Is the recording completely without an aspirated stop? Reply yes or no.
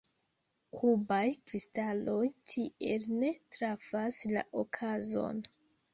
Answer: no